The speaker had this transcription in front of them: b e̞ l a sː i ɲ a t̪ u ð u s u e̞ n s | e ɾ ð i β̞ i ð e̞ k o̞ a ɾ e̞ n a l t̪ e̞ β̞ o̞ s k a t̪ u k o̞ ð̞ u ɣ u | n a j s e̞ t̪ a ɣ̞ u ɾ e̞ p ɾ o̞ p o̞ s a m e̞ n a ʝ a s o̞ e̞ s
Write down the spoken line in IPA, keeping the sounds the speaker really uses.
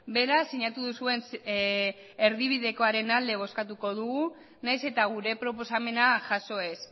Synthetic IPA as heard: b e̞ ɾ a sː i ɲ a t̪ u ð u s u e̞ n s | e ɾ ð i β̞ i ð e̞ k o̞ a ɾ e̞ n a l d̪ e̞ β̞ o̞ s k a t̪ u k o̞ ð̞ u ɣ u | n a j s e̞ t̪ a ɣ̞ u ɾ e̞ p ɾ o̞ p o̞ s a m e̞ n a ʝ a s o̞ e̞ s